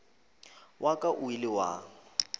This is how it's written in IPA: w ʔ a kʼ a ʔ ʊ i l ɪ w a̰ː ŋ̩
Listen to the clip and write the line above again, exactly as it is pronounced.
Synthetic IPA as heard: w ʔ a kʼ a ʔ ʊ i l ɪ w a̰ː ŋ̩